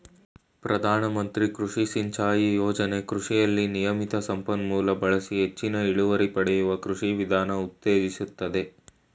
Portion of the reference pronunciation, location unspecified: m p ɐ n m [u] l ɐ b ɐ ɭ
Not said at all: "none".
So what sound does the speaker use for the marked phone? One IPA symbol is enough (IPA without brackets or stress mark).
uː